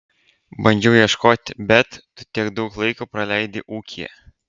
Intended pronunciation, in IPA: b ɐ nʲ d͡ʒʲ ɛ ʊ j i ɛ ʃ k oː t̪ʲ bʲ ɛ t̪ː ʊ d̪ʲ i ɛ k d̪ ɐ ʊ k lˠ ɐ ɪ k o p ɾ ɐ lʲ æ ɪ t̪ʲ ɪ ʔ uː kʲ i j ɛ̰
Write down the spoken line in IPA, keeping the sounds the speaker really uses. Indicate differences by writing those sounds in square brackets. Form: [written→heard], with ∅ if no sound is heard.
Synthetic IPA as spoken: b ɐ nʲ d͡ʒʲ ɛ ʊ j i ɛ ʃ k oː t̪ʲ bʲ ɛ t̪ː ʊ [d̪ʲ→t̪ʲ] i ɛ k d̪ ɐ ʊ k lˠ ɐ ɪ k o p ɾ ɐ lʲ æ ɪ [t̪ʲ→d̪ʲ] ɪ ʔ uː kʲ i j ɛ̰